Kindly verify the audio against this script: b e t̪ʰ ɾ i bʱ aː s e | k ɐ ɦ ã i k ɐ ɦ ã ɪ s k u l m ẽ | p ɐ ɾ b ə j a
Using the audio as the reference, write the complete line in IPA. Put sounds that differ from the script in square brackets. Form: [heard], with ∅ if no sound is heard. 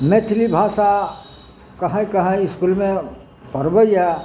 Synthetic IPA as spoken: [m] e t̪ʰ [l] i bʱ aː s [a] | k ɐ ɦ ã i k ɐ ɦ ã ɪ s k u l m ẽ | p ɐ ɾ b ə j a